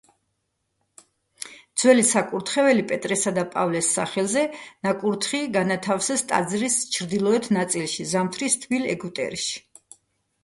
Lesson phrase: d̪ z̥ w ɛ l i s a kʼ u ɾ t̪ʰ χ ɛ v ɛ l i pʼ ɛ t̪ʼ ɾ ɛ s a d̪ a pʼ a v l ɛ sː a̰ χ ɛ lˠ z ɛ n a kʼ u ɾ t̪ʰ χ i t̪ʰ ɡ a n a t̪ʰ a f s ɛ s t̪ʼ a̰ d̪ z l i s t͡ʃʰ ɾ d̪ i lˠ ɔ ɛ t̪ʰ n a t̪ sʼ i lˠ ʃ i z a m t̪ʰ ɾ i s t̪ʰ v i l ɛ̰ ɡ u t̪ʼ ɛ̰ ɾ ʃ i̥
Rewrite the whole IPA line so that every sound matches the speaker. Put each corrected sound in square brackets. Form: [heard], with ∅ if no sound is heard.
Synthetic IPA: d̪ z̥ w ɛ l i s a kʼ u ɾ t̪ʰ χ ɛ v ɛ l i pʼ ɛ t̪ʼ ɾ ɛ s a d̪ a pʼ a v l ɛ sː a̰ χ ɛ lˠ z ɛ n a kʼ u ɾ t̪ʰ χ i [∅] ɡ a n a t̪ʰ a f s ɛ s t̪ʼ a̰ d̪ z [ɾ] i s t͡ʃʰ ɾ d̪ i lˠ ɔ ɛ t̪ʰ n a t̪ sʼ i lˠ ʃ i z a m t̪ʰ ɾ i s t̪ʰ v i l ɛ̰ ɡ u t̪ʼ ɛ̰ ɾ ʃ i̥